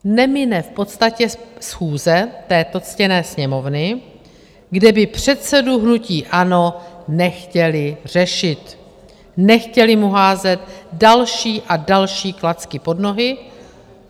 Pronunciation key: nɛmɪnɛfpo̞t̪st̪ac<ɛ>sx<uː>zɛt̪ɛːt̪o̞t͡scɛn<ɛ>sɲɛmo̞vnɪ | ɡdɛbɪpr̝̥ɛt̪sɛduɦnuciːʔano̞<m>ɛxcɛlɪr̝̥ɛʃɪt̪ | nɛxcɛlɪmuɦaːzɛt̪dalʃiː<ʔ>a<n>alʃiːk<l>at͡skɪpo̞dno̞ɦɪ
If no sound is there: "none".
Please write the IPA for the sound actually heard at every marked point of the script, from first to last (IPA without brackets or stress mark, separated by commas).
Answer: ɛ, uː, ɛː, n, ʔ, d, l